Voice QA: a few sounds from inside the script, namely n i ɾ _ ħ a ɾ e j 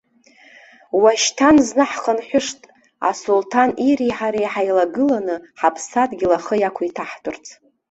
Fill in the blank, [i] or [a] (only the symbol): i